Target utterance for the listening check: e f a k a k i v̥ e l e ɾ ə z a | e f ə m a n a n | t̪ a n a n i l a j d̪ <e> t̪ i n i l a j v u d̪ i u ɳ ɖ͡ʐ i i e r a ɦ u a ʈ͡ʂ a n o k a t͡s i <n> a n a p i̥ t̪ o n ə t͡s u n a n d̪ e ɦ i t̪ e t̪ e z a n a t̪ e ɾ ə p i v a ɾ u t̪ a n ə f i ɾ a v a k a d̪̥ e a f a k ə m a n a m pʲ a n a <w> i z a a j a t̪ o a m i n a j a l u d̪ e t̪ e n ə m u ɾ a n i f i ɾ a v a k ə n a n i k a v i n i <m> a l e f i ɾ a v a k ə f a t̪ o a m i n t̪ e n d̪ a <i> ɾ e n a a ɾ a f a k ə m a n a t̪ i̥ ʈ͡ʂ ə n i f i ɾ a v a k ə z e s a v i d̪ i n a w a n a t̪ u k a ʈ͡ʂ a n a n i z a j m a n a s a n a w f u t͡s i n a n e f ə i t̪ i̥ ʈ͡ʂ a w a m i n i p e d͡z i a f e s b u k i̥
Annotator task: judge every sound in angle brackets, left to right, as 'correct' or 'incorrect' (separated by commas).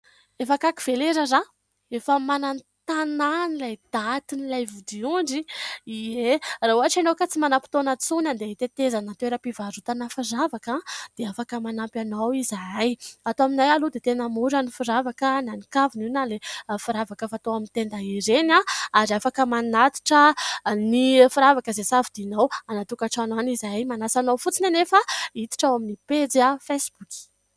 incorrect, incorrect, correct, incorrect, correct